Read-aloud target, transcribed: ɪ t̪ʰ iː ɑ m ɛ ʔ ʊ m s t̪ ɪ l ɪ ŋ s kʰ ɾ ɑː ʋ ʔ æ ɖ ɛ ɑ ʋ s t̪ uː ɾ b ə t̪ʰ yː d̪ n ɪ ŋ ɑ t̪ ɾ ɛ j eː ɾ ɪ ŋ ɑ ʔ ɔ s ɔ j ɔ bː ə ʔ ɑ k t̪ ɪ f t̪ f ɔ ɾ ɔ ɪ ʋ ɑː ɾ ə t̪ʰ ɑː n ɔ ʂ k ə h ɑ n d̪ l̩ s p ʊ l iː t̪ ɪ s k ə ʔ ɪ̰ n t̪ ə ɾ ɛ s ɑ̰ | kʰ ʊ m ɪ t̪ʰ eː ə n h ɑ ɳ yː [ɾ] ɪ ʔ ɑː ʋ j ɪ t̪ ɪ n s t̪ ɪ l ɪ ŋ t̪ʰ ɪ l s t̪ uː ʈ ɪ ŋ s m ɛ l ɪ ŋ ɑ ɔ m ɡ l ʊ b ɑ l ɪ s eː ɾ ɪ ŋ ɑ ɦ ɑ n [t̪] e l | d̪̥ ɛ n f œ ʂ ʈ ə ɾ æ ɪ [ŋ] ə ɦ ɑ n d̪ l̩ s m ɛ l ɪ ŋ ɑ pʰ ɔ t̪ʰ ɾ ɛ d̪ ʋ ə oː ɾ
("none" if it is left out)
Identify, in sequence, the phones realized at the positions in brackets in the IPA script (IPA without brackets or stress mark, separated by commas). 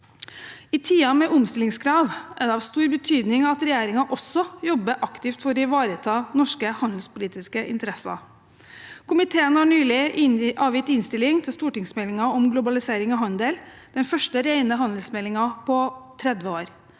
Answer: l, d̪, n